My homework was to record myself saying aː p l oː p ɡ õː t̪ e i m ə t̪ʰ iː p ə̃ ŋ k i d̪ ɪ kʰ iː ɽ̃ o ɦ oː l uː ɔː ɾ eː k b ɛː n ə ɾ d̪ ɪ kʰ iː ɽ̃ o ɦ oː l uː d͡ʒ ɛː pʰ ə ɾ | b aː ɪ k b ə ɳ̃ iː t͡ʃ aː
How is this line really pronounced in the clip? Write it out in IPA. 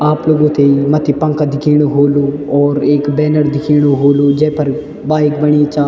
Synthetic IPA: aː p l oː ɡ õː t̪ e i m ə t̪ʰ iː p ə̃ ŋ k a d̪ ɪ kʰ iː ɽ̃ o ɦ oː l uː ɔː ɾ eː k b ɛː n ə ɾ d̪ ɪ kʰ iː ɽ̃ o ɦ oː l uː d͡ʒ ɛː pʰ ə ɾ | b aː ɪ k b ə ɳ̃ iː t͡ʃ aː